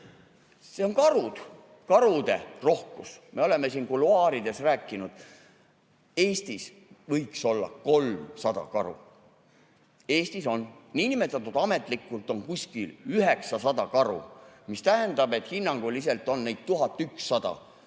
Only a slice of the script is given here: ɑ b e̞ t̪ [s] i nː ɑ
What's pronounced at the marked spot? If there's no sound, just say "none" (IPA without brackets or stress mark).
h